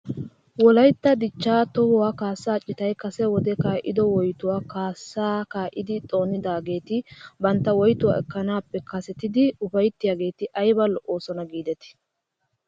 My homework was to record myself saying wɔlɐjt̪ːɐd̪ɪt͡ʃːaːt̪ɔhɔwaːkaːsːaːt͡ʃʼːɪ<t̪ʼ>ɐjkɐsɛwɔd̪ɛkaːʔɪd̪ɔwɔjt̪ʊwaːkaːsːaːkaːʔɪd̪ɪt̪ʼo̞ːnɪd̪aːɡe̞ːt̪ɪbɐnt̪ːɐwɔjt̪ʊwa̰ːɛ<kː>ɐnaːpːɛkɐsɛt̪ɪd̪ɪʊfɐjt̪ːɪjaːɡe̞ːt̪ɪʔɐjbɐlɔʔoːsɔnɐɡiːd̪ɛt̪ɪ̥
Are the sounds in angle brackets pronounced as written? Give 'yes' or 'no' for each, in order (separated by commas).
no, yes